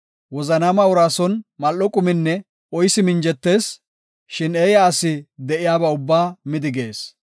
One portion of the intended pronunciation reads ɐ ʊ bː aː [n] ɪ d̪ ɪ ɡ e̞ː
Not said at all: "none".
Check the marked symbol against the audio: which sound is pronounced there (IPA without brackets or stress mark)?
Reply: m